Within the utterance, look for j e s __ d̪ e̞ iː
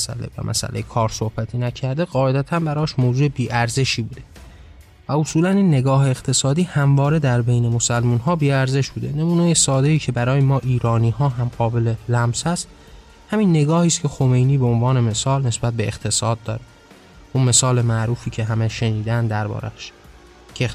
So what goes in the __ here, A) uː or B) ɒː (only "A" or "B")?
B